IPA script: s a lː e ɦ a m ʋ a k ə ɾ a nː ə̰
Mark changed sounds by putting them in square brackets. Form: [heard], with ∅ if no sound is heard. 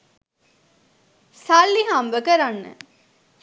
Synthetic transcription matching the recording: s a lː [i] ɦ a m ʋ [ə] k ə ɾ a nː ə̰